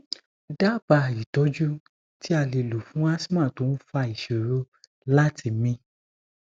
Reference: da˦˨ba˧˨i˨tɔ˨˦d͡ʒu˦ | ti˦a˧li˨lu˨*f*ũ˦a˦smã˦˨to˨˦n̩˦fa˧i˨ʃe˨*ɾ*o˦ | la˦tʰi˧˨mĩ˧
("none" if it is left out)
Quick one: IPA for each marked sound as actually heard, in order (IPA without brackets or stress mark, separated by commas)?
f, ɾ